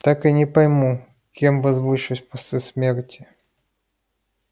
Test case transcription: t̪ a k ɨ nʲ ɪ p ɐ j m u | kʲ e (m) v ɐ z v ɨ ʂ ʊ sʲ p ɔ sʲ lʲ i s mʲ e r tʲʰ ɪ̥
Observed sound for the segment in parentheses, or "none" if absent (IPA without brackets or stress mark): m